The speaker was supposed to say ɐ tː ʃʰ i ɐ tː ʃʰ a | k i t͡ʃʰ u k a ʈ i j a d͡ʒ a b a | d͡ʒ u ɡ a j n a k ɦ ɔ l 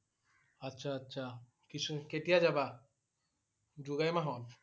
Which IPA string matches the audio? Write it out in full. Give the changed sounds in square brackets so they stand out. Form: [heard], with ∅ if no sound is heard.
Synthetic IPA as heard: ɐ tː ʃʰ [a] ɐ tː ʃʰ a | k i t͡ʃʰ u k [e] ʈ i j a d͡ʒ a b a | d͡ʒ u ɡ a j [m] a [∅] ɦ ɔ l